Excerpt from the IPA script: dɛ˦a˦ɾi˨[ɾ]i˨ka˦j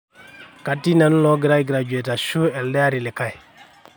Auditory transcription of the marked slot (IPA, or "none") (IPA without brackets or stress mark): l